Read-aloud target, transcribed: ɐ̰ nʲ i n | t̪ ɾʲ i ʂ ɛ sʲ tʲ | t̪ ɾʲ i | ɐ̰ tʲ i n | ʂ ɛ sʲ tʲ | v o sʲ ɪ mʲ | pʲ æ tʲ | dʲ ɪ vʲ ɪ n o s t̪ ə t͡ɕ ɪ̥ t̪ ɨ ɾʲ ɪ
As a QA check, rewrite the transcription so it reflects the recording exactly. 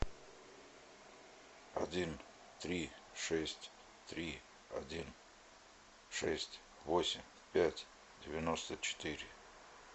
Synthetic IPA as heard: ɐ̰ dʲ i n | t̪ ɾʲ i ʂ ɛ sʲ tʲ | t̪ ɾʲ i | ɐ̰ dʲ i n | ʂ ɛ sʲ tʲ | v o sʲ ɪ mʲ | pʲ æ tʲ | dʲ ɪ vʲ ɪ n o s t̪ ə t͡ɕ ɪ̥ t̪ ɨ ɾʲ ɪ